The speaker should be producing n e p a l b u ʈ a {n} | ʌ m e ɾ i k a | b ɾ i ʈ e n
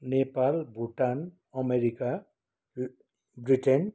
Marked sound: correct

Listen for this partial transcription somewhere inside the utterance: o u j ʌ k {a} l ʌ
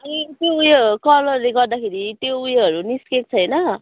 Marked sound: incorrect: ʌ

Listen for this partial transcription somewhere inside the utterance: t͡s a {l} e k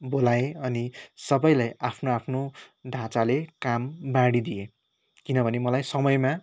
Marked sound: correct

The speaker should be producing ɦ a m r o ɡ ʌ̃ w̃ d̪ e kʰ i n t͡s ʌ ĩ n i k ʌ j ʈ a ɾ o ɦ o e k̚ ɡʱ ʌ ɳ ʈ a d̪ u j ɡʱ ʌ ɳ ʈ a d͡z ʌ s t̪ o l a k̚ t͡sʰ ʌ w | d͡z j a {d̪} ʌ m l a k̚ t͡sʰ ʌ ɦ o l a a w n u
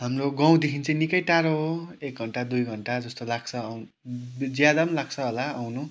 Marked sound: correct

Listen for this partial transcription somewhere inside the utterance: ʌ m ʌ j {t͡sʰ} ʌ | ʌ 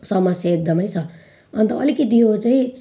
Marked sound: correct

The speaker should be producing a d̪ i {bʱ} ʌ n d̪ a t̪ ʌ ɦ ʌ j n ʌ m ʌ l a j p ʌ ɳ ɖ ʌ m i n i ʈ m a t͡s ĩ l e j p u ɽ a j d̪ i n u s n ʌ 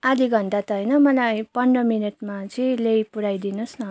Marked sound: incorrect: ɡʱ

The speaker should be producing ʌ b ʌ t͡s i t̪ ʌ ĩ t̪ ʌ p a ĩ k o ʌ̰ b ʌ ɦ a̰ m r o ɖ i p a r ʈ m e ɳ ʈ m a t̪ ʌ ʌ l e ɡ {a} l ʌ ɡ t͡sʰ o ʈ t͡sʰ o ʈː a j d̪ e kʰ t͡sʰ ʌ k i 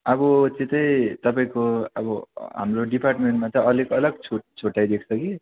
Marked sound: incorrect: ʌ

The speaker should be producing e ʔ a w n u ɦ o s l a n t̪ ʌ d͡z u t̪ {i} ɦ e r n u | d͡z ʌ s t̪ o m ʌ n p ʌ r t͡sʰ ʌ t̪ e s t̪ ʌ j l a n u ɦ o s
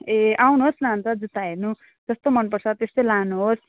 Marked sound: incorrect: a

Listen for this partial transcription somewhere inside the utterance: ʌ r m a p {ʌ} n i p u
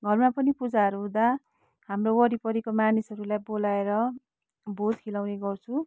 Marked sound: correct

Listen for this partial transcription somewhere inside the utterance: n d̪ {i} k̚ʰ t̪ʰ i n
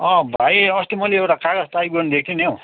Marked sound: incorrect: e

